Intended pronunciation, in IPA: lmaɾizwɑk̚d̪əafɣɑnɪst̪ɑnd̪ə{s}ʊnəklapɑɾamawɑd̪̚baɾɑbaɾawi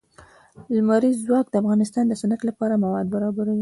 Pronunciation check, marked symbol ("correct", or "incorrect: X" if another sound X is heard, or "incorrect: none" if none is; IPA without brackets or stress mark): correct